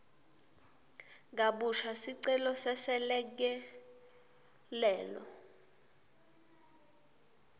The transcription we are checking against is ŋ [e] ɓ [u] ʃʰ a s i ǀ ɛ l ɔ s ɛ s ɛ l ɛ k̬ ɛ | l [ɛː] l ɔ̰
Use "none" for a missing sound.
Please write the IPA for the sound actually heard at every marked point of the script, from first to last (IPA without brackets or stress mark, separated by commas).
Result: a, u, ɛː